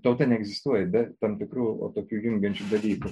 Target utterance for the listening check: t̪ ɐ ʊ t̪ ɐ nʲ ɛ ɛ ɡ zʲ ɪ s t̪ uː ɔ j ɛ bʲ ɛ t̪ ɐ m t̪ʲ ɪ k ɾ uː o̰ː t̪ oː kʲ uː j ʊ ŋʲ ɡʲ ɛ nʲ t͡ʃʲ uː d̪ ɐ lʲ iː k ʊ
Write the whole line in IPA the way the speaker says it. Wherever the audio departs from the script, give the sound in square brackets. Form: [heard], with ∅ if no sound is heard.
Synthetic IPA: t̪ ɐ ʊ t̪ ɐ nʲ ɛ ɛ ɡ zʲ ɪ s t̪ [u] ɔ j ɛ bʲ ɛ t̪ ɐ m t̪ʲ ɪ k ɾ uː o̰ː t̪ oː kʲ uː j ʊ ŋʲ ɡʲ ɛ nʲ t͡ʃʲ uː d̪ ɐ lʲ iː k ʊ

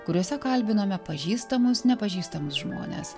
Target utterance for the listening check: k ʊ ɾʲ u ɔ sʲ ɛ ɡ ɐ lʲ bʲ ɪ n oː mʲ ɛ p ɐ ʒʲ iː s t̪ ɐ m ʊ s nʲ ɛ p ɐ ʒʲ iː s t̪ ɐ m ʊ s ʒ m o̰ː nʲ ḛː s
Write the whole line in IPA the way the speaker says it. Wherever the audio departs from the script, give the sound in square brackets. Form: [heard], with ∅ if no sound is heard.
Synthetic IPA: k ʊ ɾʲ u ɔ sʲ ɛ [k] ɐ lʲ bʲ ɪ n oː mʲ ɛ p ɐ ʒʲ iː s t̪ ɐ m ʊ s nʲ ɛ p ɐ ʒʲ iː s t̪ ɐ m ʊ s ʒ m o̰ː nʲ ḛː s

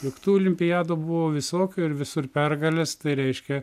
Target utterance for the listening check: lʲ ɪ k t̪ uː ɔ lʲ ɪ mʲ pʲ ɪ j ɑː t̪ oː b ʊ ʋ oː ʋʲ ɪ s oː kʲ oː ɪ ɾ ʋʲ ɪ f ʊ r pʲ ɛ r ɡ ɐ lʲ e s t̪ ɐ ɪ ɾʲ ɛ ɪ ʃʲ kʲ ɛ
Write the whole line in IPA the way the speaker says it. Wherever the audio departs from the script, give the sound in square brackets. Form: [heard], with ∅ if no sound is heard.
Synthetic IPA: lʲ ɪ k t̪ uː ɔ lʲ ɪ mʲ pʲ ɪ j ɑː [d̪] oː b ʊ ʋ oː ʋʲ ɪ s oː kʲ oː ɪ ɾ ʋʲ ɪ [s] ʊ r pʲ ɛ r ɡ ɐ lʲ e s t̪ ɐ ɪ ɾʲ ɛ ɪ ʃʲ kʲ ɛ

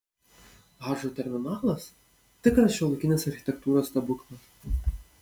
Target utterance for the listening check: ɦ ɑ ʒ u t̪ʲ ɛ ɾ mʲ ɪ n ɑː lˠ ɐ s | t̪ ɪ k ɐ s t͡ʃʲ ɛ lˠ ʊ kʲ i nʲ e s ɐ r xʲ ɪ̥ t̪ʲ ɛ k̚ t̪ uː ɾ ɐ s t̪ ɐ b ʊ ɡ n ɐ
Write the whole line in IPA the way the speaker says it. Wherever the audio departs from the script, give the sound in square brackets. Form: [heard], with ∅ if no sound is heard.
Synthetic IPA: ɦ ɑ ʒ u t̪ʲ ɛ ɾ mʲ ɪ n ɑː lˠ ɐ s | t̪ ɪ k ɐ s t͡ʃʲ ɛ lˠ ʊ kʲ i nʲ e s ɐ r xʲ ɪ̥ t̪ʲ ɛ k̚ t̪ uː ɾ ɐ s t̪ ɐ b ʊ [k] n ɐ

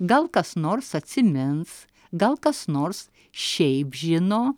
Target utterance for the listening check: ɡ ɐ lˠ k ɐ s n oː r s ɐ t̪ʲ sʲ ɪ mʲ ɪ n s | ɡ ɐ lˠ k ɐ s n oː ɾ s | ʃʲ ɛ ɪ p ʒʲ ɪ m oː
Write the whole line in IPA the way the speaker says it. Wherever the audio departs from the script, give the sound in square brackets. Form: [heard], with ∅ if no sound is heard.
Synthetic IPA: ɡ ɐ lˠ k ɐ s n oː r s ɐ t̪ʲ sʲ ɪ mʲ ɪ n s | ɡ ɐ lˠ k ɐ s n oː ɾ s | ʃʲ ɛ ɪ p ʒʲ ɪ [n] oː

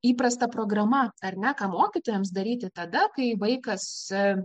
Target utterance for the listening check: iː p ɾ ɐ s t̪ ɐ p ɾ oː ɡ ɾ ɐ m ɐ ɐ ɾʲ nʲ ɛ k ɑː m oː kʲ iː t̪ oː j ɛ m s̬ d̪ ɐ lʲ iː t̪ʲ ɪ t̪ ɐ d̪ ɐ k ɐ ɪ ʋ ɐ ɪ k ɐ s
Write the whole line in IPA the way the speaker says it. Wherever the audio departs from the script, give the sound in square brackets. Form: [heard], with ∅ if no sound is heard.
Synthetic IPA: iː p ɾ ɐ s t̪ ɐ p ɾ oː ɡ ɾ ɐ m ɐ ɐ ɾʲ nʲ ɛ k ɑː m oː kʲ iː t̪ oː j ɛ m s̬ d̪ ɐ [ɾʲ] iː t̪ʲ ɪ t̪ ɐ d̪ ɐ k ɐ ɪ ʋ ɐ ɪ k ɐ s

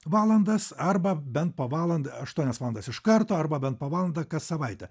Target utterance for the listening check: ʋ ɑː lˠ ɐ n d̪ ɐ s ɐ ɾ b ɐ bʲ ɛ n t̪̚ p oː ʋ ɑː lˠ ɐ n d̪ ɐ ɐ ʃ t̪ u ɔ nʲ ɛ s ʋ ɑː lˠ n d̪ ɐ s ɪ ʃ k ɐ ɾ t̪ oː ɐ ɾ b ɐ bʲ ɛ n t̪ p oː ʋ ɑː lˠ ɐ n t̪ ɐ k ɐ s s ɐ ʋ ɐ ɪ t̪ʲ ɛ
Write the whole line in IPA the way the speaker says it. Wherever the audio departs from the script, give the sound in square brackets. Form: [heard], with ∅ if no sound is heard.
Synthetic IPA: ʋ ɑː lˠ ɐ n d̪ ɐ s ɐ ɾ b ɐ bʲ ɛ n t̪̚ p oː ʋ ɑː lˠ ɐ n d̪ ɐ ɐ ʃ t̪ u ɔ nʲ ɛ s ʋ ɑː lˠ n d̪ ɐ s ɪ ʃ k ɐ ɾ t̪ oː ɐ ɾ b ɐ bʲ ɛ n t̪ p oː ʋ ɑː lˠ ɐ n [d̪] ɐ k ɐ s s ɐ ʋ ɐ ɪ t̪ʲ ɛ

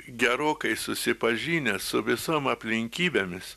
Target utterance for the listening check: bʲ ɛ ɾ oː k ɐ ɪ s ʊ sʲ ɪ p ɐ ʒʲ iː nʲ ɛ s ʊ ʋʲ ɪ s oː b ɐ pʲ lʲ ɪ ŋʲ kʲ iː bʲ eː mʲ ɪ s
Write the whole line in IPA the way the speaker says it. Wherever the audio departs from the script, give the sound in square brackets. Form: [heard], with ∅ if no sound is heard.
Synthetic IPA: [ɡʲ] ɛ ɾ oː k ɐ ɪ s ʊ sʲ ɪ p ɐ ʒʲ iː nʲ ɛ s ʊ ʋʲ ɪ s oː [m] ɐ pʲ lʲ ɪ ŋʲ kʲ iː bʲ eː mʲ ɪ s

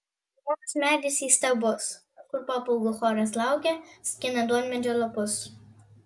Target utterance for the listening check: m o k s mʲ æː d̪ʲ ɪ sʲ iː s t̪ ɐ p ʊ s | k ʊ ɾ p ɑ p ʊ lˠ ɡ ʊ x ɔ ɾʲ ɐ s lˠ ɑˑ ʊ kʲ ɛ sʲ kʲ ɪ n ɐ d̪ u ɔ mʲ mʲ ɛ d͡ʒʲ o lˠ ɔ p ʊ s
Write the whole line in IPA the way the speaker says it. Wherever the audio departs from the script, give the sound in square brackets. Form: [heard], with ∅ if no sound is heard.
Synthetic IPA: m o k s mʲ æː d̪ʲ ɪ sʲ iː s t̪ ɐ [b] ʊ s | k ʊ ɾ p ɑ p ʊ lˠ ɡ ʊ x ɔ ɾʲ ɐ s lˠ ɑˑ ʊ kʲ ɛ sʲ kʲ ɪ n ɐ d̪ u ɔ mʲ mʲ ɛ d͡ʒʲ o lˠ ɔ p ʊ s

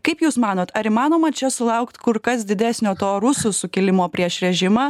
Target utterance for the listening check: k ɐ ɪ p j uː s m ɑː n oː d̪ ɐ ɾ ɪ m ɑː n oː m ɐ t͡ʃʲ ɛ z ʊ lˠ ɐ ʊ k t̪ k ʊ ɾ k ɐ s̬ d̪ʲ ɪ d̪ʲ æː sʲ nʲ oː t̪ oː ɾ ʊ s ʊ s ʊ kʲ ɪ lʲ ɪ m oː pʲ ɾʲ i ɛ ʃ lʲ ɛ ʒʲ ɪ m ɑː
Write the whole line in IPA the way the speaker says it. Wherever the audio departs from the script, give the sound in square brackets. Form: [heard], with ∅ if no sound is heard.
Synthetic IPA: k ɐ ɪ p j uː s m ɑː n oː [t̪] ɐ ɾ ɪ m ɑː n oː m ɐ t͡ʃʲ ɛ [s] ʊ lˠ ɐ ʊ k t̪ k ʊ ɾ k ɐ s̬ d̪ʲ ɪ d̪ʲ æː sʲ nʲ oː t̪ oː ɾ ʊ s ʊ s ʊ kʲ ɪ lʲ ɪ m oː pʲ ɾʲ i ɛ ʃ [ɾʲ] ɛ ʒʲ ɪ m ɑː

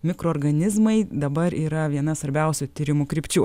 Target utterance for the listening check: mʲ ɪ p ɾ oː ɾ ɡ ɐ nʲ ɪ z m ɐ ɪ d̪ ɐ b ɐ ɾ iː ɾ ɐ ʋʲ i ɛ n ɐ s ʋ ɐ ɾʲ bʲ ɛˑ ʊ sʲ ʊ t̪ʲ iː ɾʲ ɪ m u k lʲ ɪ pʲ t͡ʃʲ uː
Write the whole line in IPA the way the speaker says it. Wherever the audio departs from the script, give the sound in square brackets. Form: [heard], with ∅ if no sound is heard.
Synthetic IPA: mʲ ɪ [k] ɾ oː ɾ ɡ ɐ nʲ ɪ z m ɐ ɪ d̪ ɐ b ɐ ɾ iː ɾ ɐ ʋʲ i ɛ n ɐ s ʋ ɐ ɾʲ bʲ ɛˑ ʊ sʲ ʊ t̪ʲ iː ɾʲ ɪ m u k [ɾʲ] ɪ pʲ t͡ʃʲ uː

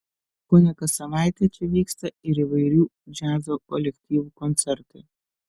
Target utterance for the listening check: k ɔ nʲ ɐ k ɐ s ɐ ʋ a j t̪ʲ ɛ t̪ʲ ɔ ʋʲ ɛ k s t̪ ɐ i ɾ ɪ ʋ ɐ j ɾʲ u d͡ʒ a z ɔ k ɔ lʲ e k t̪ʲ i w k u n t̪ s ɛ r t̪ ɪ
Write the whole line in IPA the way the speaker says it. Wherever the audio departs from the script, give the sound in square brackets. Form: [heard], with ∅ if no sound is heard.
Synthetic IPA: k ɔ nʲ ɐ k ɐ s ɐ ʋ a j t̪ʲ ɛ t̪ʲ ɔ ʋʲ [i] k s t̪ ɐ i ɾ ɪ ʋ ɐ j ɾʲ u d͡ʒ a z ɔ k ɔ lʲ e k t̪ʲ i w k [ɔ] n t̪ s ɛ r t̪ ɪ

